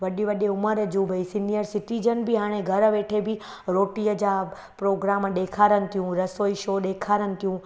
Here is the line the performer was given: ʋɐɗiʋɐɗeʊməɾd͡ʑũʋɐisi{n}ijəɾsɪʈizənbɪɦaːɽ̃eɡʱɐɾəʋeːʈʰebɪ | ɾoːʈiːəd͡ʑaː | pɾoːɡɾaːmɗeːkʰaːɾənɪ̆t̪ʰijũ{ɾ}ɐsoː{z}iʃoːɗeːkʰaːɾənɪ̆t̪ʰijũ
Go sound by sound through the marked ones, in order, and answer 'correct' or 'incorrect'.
correct, correct, incorrect

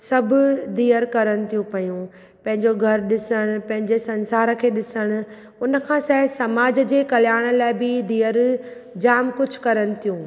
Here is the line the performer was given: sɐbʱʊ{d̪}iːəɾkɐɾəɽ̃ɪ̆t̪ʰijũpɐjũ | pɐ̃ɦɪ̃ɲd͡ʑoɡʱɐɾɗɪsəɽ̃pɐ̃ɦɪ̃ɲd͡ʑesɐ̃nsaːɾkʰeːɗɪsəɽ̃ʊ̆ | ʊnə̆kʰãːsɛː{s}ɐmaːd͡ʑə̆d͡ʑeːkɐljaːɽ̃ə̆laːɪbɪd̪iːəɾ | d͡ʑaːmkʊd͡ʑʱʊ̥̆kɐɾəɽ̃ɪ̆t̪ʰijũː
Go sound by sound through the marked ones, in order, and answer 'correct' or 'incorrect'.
correct, correct

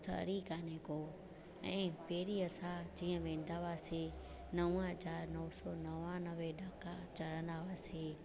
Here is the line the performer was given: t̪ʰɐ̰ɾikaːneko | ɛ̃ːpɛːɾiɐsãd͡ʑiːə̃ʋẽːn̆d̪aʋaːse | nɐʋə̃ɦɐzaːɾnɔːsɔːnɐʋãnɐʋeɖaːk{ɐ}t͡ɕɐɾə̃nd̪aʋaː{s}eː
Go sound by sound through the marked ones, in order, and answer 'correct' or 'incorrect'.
incorrect, correct

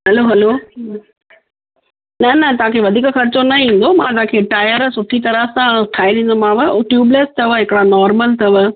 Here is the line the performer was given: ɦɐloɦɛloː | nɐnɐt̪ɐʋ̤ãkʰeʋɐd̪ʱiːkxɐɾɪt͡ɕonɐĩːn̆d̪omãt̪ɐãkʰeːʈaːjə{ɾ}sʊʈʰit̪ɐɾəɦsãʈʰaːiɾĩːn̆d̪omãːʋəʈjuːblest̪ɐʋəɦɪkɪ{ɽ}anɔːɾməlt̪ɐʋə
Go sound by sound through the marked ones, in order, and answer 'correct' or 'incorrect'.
correct, correct

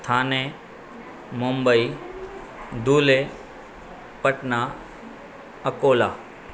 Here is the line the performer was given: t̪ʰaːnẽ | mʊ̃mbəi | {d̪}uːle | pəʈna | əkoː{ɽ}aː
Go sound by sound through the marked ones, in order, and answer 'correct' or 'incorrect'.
correct, incorrect

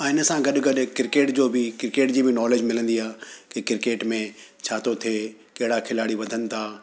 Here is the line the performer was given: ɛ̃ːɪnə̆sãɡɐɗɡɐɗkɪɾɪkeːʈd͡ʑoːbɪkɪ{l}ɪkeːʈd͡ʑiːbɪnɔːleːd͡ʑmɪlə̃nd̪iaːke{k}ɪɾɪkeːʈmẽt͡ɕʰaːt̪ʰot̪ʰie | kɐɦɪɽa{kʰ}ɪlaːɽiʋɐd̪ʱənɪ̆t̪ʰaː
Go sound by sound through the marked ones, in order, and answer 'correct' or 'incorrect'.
incorrect, correct, correct

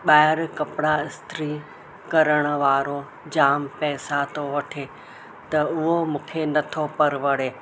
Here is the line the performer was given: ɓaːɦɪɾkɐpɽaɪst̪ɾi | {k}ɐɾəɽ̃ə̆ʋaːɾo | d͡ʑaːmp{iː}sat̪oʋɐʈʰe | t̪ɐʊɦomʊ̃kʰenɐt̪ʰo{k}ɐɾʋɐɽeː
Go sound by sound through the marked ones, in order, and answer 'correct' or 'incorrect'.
correct, incorrect, incorrect

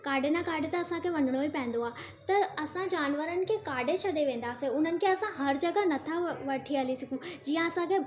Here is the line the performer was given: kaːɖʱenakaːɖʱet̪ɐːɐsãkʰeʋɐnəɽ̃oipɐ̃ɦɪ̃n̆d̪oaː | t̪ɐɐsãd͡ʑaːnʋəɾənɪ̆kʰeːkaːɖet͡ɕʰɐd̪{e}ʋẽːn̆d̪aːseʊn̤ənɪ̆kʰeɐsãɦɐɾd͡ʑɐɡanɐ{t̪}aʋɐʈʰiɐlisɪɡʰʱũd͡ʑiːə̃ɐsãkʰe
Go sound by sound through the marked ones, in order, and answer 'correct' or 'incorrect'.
correct, incorrect

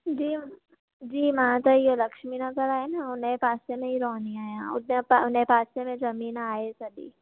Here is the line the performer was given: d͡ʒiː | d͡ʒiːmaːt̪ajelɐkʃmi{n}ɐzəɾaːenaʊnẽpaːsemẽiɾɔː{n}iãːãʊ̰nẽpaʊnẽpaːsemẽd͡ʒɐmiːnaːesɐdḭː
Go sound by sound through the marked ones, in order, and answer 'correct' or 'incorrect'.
correct, correct

